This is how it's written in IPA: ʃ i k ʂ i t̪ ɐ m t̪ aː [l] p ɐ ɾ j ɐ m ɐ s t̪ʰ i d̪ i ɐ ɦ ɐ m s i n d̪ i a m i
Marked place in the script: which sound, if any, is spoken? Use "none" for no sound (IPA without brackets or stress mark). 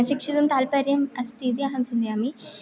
l